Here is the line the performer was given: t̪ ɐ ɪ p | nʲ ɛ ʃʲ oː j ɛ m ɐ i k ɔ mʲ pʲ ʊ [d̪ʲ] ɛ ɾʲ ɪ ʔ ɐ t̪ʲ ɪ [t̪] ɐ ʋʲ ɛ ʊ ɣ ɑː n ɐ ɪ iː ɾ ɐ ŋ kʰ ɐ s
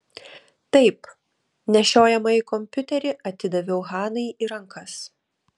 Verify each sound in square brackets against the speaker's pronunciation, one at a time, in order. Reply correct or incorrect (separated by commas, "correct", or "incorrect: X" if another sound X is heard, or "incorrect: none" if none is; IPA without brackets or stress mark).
incorrect: t̪ʲ, incorrect: d̪